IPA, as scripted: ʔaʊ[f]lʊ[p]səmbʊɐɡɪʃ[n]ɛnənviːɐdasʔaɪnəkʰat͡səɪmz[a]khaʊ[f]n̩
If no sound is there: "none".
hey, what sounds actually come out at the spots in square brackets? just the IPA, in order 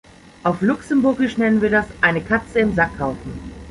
f, k, n, a, f

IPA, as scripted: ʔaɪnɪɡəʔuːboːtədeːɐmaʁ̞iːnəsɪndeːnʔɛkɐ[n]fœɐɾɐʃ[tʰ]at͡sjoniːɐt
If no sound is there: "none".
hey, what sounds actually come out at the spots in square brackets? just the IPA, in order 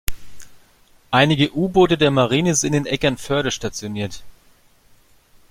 n, t

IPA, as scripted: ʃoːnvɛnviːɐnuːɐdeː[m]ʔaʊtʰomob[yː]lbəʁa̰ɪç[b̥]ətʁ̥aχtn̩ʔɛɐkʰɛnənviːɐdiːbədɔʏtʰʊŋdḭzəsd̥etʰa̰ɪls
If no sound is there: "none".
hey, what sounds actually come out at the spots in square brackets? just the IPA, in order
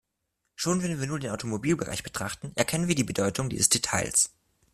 n, iː, b̥

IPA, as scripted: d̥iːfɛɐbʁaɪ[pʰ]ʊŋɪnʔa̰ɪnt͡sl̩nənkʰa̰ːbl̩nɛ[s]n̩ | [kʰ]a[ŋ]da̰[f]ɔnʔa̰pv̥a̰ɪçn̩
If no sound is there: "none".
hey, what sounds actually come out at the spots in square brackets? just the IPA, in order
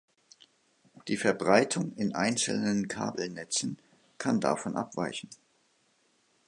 tʰ, t͡s, kʰ, n, f

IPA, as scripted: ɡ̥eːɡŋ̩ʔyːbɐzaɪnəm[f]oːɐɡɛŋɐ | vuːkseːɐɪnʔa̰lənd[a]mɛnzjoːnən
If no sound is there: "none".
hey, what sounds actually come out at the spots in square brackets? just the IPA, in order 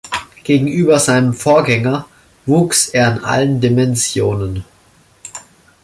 f, i

